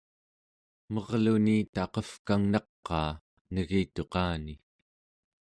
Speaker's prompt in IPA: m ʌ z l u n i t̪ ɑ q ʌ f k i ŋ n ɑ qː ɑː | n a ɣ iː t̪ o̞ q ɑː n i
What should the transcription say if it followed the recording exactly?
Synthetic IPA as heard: m ʌ ʁ l u n i t̪ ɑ q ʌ f k a ŋ n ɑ qː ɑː | n ə ɣ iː t̪ o̞ q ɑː n i